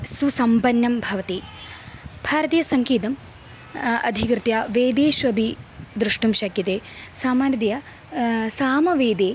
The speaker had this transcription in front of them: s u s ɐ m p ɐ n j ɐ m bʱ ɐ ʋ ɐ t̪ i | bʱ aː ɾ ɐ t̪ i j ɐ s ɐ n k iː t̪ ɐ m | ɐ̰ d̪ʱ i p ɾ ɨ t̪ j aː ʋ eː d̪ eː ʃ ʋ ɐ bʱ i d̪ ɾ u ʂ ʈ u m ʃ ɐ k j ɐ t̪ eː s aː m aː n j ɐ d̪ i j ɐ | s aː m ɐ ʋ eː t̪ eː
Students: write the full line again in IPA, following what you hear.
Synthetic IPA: s u s ɐ m p ɐ n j ɐ m bʱ ɐ ʋ ɐ t̪ i | bʱ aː ɾ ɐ t̪ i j ɐ s ɐ ŋ k iː t̪ ɐ m | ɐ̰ d̪ʱ i k ɾ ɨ t̪ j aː ʋ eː d̪ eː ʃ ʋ ɐ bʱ i d̪ ɾ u ʂ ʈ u m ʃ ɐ k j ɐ t̪ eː s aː m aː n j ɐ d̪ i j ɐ | s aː m ɐ ʋ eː d̪ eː

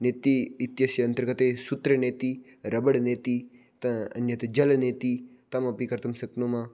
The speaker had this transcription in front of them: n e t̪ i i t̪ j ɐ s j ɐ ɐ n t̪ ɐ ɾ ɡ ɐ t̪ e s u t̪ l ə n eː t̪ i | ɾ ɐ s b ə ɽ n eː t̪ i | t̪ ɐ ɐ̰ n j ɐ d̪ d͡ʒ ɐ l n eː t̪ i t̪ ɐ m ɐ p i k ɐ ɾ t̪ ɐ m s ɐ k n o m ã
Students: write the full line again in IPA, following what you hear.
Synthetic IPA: n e t̪ i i t̪ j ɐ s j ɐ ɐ n t̪ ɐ ɾ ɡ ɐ t̪ e s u t̪ ɾ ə n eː t̪ i | ɾ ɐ b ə ɽ n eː t̪ i | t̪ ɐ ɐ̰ n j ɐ t̪ d͡ʒ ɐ l n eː t̪ i t̪ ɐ m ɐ p i k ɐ ɾ t̪ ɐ m s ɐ k n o m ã

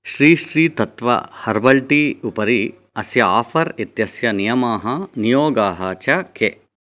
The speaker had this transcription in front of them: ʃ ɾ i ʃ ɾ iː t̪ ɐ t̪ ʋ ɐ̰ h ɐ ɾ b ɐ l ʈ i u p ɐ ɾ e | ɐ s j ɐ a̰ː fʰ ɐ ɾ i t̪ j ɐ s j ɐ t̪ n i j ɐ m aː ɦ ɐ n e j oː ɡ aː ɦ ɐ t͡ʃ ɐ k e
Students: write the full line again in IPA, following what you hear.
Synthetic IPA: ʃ ɾ iː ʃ ɾ iː t̪ ɐ t̪ ʋ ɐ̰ h ɐ ɾ b ɐ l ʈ i u p ɐ ɾ i | ɐ s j ɐ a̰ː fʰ ɐ ɾ i t̪ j ɐ s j ɐ n i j ɐ m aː ɦ ɐ n i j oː ɡ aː ɦ ɐ t͡ʃ ɐ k e

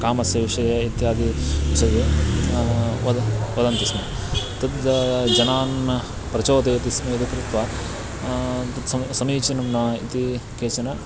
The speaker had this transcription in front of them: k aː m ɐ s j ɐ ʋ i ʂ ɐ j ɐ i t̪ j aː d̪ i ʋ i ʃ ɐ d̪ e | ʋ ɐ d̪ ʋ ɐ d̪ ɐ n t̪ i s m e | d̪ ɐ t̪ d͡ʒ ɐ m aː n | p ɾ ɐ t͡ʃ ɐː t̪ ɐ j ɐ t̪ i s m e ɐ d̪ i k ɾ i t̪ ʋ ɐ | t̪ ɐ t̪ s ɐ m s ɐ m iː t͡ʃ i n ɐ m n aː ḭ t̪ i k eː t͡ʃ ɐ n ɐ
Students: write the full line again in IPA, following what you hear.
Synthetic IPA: k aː m ɐ s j ɐ ʋ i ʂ ɐ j ɐ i t̪ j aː d̪ i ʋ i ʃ ɐ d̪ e | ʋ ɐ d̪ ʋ ɐ d̪ ɐ n t̪ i s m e | t̪ ɐ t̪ d͡ʒ ɐ n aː n | p ɾ ɐ t͡ʃ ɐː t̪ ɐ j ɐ t̪ i s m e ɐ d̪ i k ɾ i t̪ ʋ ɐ | t̪ ɐ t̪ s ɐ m s ɐ m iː t͡ʃ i n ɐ m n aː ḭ t̪ i k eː t͡ʃ ɐ n ɐ

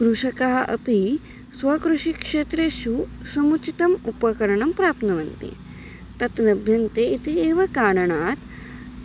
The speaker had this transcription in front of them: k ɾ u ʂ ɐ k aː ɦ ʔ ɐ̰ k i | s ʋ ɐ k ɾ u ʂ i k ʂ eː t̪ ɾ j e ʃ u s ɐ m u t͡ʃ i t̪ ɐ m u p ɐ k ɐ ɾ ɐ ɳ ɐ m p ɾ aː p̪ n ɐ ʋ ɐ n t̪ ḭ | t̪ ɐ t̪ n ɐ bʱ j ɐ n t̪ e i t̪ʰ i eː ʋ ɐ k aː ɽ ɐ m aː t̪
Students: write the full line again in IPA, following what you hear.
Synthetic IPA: k ɾ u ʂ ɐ k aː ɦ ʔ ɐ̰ p i | s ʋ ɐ k ɾ u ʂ i k ʂ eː t̪ ɾ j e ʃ u s ɐ m u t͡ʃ i t̪ ɐ m u p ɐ k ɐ ɾ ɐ ɳ ɐ m p ɾ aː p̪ n ɐ ʋ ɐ n t̪ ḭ | t̪ ɐ t̪ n ɐ bʱ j ɐ n t̪ e i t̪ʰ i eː ʋ ɐ k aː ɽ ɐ ɳ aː t̪

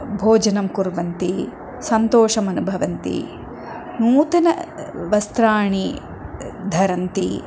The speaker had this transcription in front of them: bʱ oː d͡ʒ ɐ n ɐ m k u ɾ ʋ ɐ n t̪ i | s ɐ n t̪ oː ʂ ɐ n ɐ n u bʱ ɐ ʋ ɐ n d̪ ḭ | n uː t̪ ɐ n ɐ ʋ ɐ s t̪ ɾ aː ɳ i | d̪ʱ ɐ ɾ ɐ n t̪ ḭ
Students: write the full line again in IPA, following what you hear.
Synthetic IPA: bʱ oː d͡ʒ ɐ n ɐ m k u ɾ ʋ ɐ n t̪ i | s ɐ n t̪ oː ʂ ɐ m ɐ n u bʱ ɐ ʋ ɐ n t̪ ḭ | n uː t̪ ɐ n ɐ ʋ ɐ s t̪ ɾ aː ɳ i | d̪ʱ ɐ ɾ ɐ n t̪ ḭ

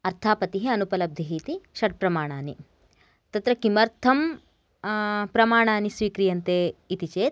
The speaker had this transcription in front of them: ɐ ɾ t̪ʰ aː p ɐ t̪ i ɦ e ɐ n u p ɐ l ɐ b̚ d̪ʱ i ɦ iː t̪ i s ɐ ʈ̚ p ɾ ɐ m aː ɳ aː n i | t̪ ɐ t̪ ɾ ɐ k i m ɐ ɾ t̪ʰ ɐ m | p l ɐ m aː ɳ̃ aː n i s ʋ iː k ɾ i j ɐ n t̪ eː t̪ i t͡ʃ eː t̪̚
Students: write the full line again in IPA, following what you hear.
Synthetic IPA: ɐ ɾ t̪ʰ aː p ɐ t̪ i ɦ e ɐ n u p ɐ l ɐ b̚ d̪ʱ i ɦ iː t̪ i ʃ ɐ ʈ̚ p ɾ ɐ m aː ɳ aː n i | t̪ ɐ t̪ ɾ ɐ k i m ɐ ɾ t̪ʰ ɐ m | p ɾ ɐ m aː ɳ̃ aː n i s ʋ iː k ɾ i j ɐ n t̪ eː t̪ i t͡ʃ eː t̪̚

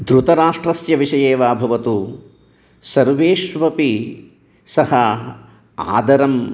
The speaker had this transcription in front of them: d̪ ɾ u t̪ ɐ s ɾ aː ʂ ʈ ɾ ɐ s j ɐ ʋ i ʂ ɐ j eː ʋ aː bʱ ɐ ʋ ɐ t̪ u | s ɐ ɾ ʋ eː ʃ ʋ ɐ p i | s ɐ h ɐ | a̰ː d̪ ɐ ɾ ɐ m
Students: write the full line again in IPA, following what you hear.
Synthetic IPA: d̪ ɾ u t̪ ɐ ɾ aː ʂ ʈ ɾ ɐ s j ɐ ʋ i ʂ ɐ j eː ʋ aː bʱ ɐ ʋ ɐ t̪ u | s ɐ ɾ ʋ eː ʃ ʋ ɐ p i | s ɐ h ɐ | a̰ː d̪ ɐ ɾ ɐ m

